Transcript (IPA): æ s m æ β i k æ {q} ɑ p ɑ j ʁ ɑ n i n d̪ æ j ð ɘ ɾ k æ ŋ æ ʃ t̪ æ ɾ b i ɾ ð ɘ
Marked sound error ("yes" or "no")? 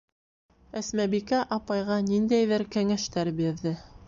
yes